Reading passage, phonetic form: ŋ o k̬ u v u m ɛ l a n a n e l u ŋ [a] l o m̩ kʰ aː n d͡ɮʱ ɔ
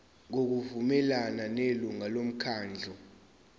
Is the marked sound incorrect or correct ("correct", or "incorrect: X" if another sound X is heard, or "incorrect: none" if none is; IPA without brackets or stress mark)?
correct